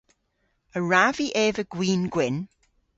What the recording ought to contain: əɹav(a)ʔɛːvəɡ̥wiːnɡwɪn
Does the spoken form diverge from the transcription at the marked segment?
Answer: yes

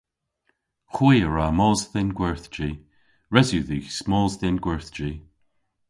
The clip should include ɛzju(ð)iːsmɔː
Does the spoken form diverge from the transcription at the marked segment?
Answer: no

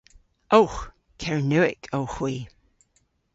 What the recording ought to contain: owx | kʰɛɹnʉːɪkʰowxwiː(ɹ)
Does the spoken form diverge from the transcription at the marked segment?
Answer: yes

